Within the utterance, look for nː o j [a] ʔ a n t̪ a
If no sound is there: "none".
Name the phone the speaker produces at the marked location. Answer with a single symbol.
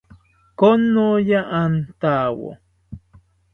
a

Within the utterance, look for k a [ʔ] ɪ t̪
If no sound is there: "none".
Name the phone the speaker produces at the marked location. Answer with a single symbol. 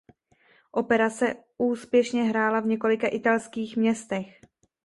ʔ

